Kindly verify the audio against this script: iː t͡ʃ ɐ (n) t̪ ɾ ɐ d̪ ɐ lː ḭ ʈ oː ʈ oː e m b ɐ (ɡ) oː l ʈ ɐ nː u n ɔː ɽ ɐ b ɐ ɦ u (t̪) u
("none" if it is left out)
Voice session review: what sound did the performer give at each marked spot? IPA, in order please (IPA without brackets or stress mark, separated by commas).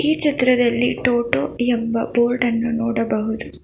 none, b, d̪